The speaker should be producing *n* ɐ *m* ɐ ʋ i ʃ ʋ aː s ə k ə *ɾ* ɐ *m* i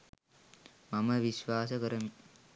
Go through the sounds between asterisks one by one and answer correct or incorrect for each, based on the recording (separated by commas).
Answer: incorrect, correct, correct, correct